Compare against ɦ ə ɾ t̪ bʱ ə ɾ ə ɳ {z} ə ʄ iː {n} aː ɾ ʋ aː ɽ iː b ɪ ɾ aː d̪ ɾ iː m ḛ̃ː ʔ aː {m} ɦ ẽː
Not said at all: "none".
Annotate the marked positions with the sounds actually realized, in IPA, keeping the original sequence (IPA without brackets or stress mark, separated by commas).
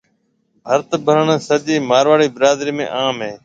s, m, m